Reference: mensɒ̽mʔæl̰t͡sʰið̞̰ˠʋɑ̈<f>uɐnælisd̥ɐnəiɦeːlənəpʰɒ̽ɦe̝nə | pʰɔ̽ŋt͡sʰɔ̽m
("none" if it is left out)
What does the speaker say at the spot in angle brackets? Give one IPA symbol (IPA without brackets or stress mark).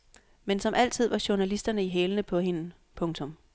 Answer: ɕ